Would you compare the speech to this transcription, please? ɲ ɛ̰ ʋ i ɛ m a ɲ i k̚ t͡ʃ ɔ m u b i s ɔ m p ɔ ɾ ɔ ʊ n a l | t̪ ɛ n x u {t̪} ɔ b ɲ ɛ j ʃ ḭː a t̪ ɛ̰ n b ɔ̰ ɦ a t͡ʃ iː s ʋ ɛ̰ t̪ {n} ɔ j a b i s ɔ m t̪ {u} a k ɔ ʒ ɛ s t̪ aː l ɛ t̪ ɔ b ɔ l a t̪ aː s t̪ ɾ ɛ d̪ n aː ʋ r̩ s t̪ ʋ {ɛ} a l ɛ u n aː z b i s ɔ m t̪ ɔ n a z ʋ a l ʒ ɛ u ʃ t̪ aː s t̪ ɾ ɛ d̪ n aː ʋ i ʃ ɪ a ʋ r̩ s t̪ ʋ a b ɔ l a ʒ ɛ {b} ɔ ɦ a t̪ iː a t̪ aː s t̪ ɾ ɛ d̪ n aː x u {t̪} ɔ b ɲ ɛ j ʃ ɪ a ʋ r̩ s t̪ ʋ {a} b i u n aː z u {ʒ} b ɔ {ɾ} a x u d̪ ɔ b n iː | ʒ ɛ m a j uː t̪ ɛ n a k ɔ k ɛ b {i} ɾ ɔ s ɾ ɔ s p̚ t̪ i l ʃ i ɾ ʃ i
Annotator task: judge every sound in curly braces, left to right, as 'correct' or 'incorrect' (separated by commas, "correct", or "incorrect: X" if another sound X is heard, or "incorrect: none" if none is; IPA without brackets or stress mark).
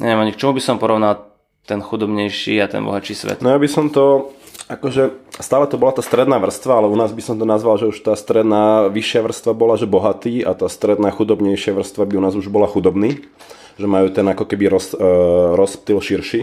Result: incorrect: d̪, correct, incorrect: ɔ, incorrect: a, correct, incorrect: d̪, correct, correct, incorrect: l, correct